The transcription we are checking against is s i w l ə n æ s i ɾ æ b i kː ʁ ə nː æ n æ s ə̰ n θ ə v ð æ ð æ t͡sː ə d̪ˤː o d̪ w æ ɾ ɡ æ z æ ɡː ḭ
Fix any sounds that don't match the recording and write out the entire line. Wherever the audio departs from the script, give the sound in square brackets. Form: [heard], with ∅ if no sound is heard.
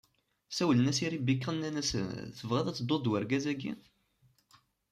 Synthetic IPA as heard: s [æ] w l ə n æ s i ɾ [i] b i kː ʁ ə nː æ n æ s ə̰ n θ ə v [ʁ] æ ð æ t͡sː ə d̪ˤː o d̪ w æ ɾ ɡ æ z æ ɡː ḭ